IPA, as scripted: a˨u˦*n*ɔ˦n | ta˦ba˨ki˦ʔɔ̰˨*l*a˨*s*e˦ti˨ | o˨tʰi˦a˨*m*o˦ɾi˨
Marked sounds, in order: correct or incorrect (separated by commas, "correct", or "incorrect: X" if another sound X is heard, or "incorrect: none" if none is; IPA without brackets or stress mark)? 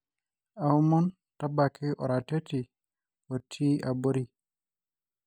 incorrect: m, incorrect: ɾ, incorrect: t, incorrect: b